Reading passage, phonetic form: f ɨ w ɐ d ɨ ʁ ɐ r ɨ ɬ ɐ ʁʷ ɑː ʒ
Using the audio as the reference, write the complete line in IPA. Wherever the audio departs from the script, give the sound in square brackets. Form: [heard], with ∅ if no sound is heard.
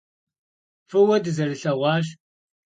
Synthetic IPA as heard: f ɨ w ɐ d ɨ [z] ɐ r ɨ ɬ ɐ ʁʷ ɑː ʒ